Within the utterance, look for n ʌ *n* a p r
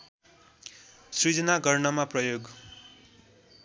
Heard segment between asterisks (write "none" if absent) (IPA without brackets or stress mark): m